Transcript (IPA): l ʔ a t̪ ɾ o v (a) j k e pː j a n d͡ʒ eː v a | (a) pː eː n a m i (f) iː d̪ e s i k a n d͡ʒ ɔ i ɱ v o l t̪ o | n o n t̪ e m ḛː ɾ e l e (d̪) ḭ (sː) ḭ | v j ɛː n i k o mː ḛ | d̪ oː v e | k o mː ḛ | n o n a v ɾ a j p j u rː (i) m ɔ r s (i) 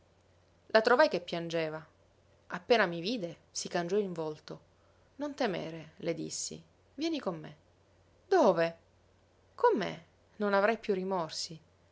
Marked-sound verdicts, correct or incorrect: correct, correct, incorrect: v, correct, correct, correct, correct

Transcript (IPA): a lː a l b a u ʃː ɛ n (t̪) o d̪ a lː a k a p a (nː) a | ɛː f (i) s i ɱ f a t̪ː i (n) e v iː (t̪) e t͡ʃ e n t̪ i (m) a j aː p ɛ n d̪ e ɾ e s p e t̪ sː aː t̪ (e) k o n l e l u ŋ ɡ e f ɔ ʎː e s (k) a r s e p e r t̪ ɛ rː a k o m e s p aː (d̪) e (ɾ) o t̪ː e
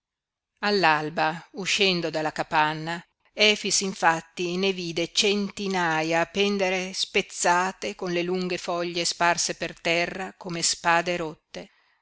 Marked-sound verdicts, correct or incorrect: incorrect: d̪, correct, correct, correct, incorrect: d̪, incorrect: n, correct, incorrect: p, correct, correct

